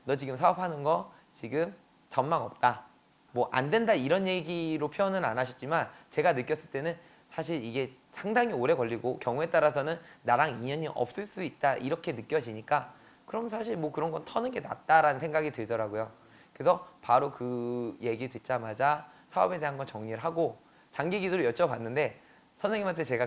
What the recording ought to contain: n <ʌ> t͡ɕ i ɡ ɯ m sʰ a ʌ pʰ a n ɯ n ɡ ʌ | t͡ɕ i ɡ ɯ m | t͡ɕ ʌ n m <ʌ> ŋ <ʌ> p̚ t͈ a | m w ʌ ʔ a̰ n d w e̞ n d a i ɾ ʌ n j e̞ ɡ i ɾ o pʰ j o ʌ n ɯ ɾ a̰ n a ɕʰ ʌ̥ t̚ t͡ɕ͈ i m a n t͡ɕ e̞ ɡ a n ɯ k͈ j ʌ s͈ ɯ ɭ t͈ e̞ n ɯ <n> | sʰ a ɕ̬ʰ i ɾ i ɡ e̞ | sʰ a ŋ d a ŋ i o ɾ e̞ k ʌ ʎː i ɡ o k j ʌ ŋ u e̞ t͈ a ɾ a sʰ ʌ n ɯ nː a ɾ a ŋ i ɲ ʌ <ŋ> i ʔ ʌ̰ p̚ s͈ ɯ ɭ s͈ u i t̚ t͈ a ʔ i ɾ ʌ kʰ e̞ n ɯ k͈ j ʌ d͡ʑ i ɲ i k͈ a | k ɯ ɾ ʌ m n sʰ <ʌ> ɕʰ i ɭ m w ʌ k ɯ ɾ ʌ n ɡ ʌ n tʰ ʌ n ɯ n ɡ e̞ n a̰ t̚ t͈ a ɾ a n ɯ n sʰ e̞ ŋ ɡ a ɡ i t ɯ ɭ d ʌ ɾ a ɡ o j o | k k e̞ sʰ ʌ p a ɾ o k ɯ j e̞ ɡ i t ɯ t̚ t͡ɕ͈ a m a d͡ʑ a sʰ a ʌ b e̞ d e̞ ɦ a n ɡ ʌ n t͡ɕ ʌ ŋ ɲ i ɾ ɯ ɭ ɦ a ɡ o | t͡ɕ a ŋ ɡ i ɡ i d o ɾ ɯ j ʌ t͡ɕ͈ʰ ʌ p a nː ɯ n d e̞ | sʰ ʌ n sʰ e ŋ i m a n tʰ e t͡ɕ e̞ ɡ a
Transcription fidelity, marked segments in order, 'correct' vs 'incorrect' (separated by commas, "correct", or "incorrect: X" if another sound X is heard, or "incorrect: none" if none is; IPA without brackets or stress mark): correct, incorrect: a, correct, correct, incorrect: ɲ, incorrect: a